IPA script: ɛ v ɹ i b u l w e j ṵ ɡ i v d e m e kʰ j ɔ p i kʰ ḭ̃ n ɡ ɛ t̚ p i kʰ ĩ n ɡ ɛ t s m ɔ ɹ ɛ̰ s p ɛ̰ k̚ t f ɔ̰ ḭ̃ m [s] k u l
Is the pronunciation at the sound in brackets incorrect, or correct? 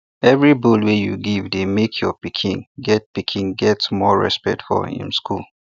correct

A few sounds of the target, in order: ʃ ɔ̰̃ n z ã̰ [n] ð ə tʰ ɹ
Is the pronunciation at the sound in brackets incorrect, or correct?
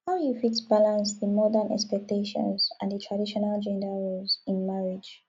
correct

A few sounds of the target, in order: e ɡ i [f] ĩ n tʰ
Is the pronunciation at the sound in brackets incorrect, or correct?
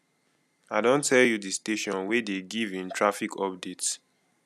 incorrect: v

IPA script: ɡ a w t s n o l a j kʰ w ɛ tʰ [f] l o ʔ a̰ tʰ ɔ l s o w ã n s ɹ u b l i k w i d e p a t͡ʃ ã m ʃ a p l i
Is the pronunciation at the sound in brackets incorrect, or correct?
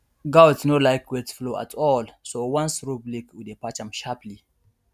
correct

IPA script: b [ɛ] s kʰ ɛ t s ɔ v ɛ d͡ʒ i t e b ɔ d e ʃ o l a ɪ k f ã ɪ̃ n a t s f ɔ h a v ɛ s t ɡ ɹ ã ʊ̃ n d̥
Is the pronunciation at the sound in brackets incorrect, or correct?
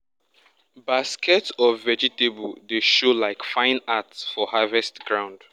incorrect: a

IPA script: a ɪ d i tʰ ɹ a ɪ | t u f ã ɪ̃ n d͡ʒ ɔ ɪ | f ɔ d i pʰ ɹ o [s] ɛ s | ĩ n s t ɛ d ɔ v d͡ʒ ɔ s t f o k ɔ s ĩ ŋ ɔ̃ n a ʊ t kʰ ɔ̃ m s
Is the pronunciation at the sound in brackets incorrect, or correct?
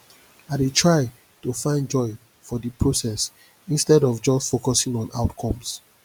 correct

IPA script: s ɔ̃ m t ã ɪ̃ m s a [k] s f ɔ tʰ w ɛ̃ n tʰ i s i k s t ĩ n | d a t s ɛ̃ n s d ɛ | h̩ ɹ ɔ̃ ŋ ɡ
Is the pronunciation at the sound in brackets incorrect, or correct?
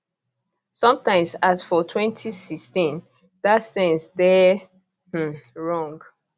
incorrect: none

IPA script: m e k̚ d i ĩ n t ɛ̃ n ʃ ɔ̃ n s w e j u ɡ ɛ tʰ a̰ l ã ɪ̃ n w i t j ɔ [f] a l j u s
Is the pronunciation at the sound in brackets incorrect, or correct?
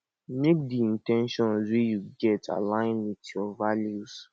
incorrect: v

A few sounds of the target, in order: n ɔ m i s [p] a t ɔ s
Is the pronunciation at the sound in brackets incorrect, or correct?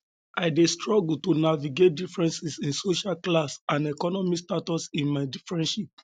incorrect: t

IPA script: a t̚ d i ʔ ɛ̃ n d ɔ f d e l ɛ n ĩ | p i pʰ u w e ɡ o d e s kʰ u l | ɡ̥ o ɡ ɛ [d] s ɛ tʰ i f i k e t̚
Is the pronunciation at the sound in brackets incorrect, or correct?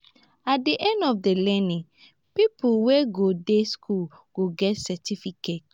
incorrect: t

